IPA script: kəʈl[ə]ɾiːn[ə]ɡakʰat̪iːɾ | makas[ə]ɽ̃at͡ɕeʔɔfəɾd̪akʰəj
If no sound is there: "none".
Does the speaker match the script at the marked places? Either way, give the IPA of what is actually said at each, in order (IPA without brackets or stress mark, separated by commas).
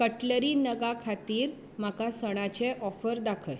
ə, ə, ə